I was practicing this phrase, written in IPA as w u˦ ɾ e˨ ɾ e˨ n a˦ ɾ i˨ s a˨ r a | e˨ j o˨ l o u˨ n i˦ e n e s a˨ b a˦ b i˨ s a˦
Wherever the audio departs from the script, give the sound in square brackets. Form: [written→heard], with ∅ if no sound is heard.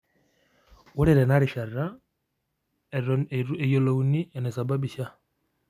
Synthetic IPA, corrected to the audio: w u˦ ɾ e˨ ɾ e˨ n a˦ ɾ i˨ [s→ʃ] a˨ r a | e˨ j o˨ l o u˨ n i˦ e n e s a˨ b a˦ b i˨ [s→ʃ] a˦